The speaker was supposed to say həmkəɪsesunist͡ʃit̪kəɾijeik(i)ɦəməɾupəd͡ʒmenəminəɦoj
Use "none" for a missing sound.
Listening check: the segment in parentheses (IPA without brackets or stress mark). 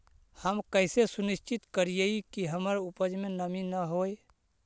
i